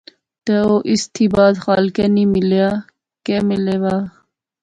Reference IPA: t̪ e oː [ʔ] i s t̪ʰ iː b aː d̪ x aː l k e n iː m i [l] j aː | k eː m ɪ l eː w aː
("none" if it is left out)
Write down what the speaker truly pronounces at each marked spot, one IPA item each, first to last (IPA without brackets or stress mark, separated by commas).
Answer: ʔ, l